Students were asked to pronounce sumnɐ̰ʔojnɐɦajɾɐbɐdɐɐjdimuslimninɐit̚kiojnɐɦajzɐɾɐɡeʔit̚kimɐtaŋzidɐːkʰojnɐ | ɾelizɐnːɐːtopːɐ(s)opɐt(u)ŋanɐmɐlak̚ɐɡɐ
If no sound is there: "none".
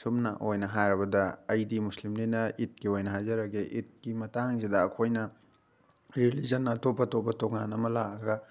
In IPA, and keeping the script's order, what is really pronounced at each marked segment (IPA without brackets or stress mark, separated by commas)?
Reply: t, o